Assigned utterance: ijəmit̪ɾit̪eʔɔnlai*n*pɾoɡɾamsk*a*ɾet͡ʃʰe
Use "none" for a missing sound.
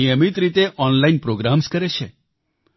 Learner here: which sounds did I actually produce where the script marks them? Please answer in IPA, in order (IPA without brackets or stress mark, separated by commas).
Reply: n, ə